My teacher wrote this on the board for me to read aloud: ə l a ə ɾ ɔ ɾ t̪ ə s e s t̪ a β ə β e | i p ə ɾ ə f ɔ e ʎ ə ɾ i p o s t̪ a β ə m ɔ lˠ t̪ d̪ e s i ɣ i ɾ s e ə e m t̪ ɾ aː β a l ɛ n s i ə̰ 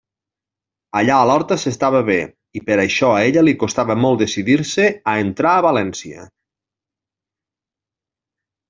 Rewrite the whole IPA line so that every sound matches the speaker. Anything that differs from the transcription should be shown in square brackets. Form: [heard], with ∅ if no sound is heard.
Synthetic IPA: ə [ʎ] a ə [l] ɔ ɾ t̪ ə s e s t̪ a β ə β e | i p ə ɾ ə [ʃ] ɔ e ʎ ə [l] i [k] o s t̪ a β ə m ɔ lˠ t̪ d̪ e s i [ð] i ɾ s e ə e [n] t̪ ɾ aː β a l ɛ n s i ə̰